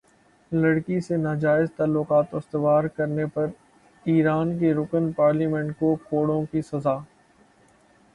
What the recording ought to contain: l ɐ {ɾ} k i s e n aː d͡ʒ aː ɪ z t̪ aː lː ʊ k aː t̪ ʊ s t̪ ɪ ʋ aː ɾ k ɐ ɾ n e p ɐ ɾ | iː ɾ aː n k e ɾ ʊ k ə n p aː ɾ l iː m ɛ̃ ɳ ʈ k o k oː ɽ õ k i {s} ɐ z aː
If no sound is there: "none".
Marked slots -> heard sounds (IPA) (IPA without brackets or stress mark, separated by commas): ɽ, s